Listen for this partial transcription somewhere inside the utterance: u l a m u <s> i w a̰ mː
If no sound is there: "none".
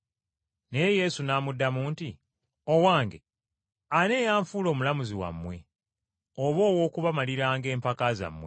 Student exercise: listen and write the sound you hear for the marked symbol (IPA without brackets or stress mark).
z